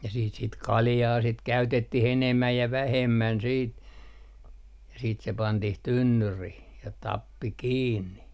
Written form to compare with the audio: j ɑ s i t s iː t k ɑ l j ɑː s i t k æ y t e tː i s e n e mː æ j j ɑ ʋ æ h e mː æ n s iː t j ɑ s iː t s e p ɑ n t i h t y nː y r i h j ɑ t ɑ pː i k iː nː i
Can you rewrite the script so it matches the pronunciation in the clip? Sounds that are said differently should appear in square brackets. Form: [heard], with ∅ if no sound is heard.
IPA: j ɑ s [iː] t s [i] t k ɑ l j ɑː s i t k æ y t e tː i [h] e n e mː æ j j ɑ ʋ æ h e mː æ n s iː t j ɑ s iː t s e p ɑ n t i h t y nː y r i h j ɑ t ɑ pː i k iː nː i